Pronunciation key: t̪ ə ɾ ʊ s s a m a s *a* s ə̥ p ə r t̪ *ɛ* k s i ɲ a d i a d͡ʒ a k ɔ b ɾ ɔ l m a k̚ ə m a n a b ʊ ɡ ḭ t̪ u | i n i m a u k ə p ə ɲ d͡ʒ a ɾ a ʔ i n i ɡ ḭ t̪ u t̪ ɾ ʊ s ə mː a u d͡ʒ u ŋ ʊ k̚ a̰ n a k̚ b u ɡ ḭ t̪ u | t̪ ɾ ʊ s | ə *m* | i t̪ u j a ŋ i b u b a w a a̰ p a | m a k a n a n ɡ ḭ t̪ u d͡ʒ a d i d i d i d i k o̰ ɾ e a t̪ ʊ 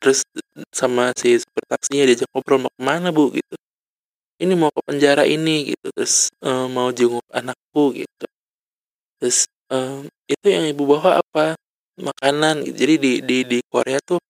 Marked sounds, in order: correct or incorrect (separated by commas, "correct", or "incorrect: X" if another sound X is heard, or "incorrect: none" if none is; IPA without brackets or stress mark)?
incorrect: i, incorrect: a, correct